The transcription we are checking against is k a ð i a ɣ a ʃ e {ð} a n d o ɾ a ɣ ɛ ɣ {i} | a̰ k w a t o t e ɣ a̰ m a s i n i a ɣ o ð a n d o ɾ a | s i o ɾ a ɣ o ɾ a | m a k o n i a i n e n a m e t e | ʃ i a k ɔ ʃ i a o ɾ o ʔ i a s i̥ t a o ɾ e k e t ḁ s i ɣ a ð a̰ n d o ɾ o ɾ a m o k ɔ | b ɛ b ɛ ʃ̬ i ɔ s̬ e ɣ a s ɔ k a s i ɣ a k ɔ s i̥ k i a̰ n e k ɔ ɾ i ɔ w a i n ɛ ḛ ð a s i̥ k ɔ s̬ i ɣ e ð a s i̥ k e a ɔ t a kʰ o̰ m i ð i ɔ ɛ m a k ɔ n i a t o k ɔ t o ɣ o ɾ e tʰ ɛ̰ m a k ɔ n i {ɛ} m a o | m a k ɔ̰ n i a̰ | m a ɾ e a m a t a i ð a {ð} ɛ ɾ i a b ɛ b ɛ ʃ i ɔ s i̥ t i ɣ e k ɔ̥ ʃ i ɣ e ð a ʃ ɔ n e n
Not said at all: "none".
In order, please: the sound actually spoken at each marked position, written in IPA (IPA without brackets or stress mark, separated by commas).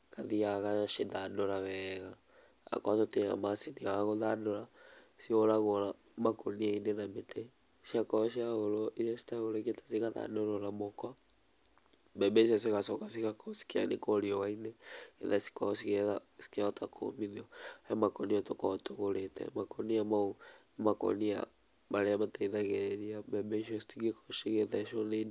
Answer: ð, a, a, ɣ